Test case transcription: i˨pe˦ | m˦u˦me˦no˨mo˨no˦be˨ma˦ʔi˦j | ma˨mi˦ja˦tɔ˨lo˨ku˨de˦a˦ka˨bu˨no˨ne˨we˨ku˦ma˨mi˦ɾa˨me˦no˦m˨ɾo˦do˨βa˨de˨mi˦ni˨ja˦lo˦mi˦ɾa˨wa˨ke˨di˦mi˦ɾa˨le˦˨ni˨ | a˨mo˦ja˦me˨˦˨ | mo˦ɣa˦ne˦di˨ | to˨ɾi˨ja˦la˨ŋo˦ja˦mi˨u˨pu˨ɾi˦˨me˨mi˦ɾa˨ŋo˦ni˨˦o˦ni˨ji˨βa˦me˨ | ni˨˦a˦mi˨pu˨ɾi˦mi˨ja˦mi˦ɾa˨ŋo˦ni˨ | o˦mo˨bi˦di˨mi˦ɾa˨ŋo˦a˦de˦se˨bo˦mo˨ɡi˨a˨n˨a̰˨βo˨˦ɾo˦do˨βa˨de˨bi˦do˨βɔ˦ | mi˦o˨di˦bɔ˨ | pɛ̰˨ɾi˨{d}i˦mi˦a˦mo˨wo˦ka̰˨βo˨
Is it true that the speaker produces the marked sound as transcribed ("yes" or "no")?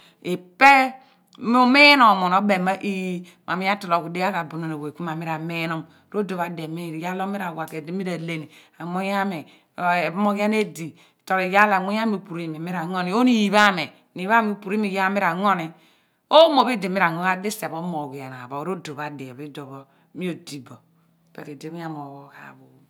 yes